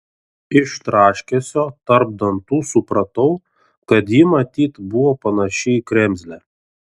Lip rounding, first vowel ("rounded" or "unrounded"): unrounded